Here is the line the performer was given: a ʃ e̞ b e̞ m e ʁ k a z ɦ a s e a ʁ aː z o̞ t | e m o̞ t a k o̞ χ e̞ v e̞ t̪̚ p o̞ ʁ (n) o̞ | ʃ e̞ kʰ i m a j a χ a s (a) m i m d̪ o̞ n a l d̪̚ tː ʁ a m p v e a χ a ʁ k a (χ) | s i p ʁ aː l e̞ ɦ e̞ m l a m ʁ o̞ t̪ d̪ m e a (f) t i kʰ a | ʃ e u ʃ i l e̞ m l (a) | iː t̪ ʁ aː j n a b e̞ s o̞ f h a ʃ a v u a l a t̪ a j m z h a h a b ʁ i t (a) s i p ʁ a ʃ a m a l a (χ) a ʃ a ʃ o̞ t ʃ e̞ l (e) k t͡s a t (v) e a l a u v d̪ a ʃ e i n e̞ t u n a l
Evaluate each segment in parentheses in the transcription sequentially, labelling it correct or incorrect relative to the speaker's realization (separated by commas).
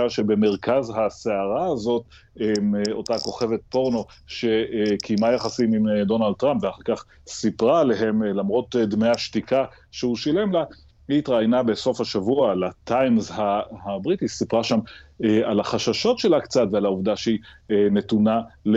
correct, incorrect, correct, incorrect, correct, incorrect, correct, incorrect, correct